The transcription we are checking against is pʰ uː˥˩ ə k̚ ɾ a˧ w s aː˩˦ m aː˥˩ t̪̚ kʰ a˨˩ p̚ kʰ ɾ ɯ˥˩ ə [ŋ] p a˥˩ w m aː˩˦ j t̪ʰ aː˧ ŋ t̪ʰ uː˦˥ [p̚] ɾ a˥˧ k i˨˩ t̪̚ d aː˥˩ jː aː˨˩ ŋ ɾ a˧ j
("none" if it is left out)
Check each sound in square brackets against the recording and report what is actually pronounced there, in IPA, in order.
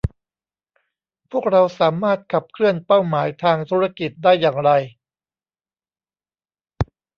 n, none

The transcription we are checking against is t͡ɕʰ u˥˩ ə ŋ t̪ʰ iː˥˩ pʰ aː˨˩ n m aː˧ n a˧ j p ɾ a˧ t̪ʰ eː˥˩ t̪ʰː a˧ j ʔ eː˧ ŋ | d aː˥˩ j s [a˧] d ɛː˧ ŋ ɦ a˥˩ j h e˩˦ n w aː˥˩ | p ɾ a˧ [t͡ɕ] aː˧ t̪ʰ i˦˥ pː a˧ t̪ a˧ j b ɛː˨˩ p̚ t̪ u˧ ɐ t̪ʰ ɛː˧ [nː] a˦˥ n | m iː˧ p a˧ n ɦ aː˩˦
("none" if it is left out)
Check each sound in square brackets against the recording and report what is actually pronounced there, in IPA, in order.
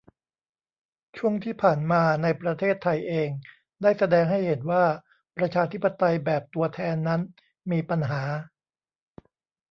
a˧, t͡ɕʰ, nː

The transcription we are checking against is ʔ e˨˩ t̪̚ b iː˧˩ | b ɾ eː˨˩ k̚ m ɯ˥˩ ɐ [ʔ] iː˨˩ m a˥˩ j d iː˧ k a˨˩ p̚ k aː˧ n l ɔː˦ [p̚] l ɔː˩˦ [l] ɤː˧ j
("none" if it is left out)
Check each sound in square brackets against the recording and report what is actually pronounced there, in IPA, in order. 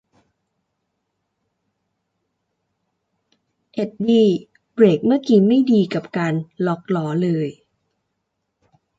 k, k̚, l

